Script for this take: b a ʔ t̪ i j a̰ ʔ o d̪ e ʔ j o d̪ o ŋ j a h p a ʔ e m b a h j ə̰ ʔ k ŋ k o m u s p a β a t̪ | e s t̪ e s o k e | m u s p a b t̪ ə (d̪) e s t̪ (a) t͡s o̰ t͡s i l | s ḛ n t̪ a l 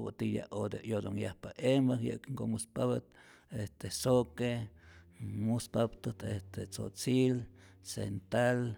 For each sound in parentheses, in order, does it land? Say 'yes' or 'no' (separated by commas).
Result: no, no